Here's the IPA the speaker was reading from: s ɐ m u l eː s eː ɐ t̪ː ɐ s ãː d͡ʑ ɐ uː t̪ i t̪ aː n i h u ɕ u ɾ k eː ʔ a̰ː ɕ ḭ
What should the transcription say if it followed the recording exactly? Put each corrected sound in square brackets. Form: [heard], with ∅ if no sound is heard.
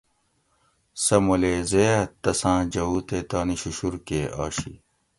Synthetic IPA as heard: s ɐ m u l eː [z] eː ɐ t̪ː ɐ s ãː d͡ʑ ɐ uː t̪ [e] t̪ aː n i [ɕ] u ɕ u ɾ k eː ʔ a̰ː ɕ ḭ